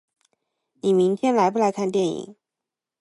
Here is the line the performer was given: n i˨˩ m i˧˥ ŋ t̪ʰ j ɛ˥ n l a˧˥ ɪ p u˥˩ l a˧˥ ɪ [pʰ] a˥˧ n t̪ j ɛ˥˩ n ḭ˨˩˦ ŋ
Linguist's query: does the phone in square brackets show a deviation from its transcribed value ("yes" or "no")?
yes